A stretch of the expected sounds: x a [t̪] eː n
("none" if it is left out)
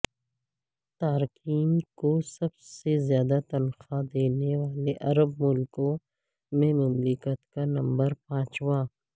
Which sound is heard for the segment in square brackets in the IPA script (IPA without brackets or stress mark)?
d̪